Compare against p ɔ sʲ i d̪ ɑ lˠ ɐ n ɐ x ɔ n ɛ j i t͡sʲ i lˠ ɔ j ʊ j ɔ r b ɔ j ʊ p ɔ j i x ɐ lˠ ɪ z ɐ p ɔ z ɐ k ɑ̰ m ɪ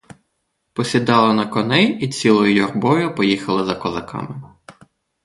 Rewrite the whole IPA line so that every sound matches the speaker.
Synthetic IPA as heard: p ɔ sʲ i d̪ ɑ lˠ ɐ n ɐ k ɔ n ɛ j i t͡sʲ i lˠ ɔ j ʊ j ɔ r b ɔ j ʊ p ɔ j i x ɐ lˠ ɪ z ɐ k ɔ z ɐ k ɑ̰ m ɪ